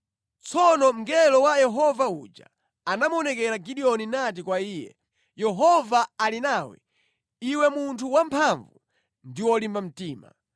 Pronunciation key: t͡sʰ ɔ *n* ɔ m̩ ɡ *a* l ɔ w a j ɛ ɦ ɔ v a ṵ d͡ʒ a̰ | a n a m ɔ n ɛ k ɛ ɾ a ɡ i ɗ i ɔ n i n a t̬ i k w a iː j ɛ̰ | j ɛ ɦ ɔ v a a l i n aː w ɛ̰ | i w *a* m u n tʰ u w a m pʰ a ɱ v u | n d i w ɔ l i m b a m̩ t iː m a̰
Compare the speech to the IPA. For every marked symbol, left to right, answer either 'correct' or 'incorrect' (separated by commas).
correct, incorrect, incorrect